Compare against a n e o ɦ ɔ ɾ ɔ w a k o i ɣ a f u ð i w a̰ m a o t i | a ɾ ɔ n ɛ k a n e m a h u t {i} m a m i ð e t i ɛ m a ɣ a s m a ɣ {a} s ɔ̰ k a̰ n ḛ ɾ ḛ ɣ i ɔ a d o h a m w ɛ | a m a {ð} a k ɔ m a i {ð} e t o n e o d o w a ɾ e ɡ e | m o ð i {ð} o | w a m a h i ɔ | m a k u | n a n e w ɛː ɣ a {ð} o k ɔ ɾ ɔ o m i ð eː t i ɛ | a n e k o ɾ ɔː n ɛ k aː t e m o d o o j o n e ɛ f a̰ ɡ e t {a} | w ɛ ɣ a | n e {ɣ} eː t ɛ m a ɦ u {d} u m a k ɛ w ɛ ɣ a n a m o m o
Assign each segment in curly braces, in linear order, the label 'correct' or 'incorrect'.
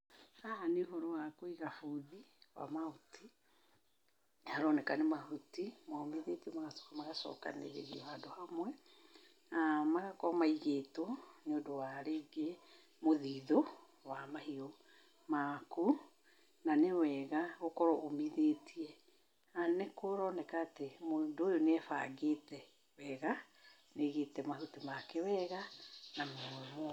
correct, correct, incorrect: ɣ, incorrect: ɣ, correct, incorrect: ɣ, incorrect: ɛ, correct, incorrect: t

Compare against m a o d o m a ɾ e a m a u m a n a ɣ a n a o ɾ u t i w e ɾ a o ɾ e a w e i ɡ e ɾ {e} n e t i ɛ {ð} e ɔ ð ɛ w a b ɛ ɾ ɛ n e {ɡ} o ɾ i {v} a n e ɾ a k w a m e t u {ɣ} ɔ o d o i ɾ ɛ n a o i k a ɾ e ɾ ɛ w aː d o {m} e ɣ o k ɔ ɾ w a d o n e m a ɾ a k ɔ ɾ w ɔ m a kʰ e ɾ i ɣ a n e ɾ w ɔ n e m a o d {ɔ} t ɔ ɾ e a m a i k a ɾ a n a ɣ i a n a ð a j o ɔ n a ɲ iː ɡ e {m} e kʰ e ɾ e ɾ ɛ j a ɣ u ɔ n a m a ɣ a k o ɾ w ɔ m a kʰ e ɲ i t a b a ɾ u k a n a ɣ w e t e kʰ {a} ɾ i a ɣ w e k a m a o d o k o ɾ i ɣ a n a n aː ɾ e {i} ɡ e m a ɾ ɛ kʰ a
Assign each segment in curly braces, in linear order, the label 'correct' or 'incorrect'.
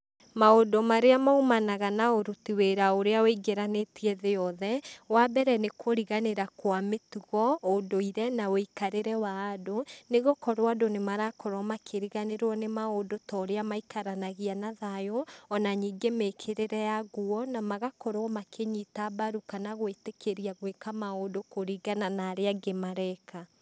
incorrect: a, correct, incorrect: k, incorrect: ɣ, correct, incorrect: n, incorrect: o, correct, incorrect: e, incorrect: a

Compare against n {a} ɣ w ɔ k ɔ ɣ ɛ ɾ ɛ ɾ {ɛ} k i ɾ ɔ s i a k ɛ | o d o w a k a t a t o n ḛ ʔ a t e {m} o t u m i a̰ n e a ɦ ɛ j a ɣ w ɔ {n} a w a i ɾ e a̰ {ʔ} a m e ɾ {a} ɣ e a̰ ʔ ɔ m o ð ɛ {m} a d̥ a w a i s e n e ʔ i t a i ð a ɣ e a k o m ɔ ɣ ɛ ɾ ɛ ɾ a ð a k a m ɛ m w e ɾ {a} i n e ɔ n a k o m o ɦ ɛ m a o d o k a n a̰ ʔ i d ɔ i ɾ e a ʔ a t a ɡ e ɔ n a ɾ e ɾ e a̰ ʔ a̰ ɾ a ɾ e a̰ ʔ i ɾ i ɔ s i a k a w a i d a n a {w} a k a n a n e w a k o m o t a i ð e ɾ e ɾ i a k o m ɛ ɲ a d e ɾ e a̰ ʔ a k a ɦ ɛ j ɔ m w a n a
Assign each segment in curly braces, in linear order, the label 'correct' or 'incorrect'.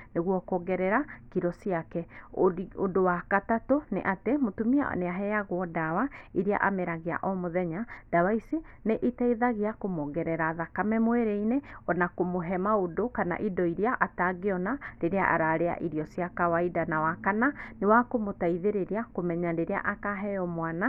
incorrect: e, incorrect: a, correct, incorrect: d, correct, correct, incorrect: ɲ, incorrect: e, correct

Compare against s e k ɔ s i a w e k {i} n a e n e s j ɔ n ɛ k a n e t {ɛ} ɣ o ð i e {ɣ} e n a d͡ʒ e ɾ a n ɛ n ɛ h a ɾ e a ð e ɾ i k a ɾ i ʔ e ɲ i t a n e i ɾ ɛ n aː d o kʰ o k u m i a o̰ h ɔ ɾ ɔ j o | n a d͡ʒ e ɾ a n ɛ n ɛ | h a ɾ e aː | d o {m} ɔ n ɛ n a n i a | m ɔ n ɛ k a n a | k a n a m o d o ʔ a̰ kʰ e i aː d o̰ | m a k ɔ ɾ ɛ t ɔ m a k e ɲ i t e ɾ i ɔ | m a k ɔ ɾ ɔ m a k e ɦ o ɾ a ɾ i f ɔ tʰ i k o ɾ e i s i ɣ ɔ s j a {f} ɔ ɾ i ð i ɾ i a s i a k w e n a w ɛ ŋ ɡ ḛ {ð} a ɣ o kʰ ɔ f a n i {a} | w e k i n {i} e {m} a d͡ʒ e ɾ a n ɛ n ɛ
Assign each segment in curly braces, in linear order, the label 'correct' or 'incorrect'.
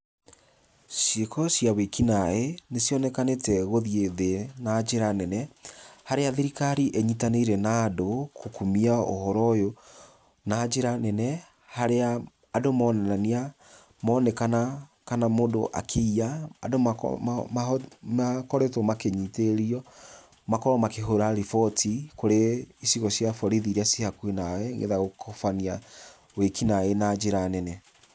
correct, correct, incorrect: ð, correct, correct, correct, correct, incorrect: a, incorrect: n

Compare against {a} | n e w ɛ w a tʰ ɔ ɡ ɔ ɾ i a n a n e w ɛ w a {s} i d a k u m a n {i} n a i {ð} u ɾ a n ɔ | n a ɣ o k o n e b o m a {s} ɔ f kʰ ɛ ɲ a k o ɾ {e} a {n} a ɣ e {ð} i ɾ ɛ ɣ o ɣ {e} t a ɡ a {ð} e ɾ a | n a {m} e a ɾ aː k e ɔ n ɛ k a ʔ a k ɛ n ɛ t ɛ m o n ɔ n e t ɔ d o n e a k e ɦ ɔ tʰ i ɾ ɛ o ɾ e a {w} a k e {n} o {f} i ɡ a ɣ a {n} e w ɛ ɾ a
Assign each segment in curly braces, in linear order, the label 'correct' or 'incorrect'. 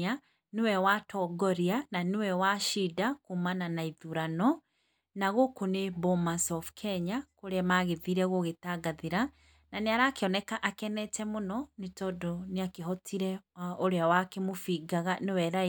correct, incorrect: ʃ, incorrect: a, correct, correct, correct, incorrect: m, correct, correct, correct, incorrect: n, correct, incorrect: m, correct, correct

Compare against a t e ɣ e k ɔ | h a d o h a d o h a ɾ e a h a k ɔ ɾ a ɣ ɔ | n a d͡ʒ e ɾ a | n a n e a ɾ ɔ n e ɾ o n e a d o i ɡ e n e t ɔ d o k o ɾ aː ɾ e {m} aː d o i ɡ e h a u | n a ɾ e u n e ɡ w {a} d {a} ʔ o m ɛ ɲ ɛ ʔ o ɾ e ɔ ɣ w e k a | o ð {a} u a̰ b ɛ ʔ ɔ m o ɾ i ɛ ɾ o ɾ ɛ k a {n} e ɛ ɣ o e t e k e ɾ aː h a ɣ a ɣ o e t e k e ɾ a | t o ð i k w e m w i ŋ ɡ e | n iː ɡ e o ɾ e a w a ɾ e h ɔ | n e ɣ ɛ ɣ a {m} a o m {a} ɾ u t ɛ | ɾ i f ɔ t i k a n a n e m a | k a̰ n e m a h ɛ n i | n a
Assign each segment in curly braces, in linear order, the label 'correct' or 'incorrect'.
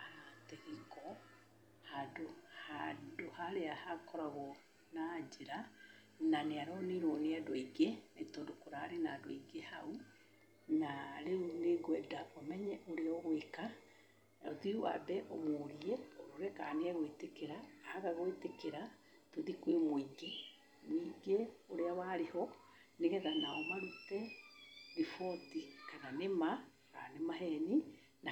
incorrect: n, incorrect: ɛ, correct, incorrect: i, correct, incorrect: n, correct

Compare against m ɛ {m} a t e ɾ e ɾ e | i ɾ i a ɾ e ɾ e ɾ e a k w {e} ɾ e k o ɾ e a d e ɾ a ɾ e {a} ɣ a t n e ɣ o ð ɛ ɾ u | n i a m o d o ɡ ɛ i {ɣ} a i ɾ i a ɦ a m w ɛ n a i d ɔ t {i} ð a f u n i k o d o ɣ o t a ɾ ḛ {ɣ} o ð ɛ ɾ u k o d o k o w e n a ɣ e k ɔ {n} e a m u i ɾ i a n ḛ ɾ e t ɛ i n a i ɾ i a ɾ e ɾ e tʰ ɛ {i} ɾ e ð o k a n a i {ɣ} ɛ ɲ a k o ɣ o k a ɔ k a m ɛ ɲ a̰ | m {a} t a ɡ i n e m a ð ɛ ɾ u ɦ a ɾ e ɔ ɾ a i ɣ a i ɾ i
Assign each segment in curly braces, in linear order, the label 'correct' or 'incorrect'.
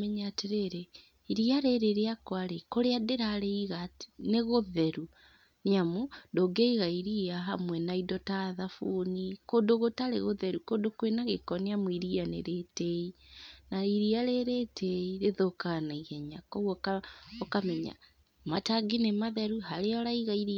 incorrect: ɲ, incorrect: a, incorrect: i, correct, incorrect: a, correct, correct, correct, correct, correct

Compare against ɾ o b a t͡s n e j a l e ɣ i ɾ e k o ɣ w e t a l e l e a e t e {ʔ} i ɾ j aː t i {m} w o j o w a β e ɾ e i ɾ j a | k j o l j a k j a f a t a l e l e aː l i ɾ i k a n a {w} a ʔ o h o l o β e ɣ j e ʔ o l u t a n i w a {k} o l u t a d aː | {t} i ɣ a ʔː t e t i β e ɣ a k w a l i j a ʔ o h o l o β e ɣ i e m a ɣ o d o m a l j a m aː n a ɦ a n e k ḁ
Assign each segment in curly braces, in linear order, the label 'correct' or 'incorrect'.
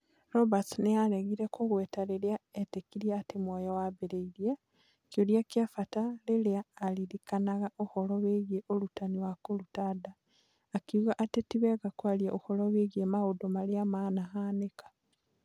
incorrect: k, correct, incorrect: ɣ, correct, incorrect: k

